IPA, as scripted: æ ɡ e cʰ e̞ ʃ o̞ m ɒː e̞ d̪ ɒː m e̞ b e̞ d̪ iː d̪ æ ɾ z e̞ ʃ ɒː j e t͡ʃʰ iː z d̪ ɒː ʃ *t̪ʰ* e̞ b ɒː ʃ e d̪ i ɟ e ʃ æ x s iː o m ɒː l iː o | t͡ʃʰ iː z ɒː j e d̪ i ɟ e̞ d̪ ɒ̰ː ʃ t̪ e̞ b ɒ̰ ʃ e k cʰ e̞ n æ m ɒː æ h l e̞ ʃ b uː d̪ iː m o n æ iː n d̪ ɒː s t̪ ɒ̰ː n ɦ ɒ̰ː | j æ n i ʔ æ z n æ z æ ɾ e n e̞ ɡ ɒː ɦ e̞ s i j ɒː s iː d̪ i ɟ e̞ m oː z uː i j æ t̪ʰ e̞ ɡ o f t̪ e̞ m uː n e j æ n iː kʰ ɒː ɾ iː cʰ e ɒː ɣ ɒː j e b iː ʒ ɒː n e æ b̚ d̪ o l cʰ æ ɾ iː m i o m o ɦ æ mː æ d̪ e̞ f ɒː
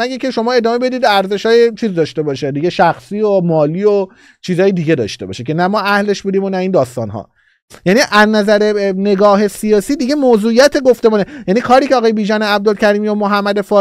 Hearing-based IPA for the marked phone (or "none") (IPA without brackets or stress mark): t̪